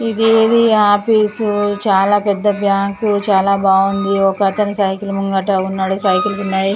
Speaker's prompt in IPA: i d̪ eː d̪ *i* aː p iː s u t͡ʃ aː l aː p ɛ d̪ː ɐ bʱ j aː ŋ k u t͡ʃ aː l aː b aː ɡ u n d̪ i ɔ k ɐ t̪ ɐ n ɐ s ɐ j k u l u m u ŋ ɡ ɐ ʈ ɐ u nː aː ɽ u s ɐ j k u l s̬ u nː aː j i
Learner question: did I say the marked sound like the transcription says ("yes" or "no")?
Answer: yes